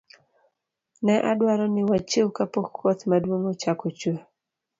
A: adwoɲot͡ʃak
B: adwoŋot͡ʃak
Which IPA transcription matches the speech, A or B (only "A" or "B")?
B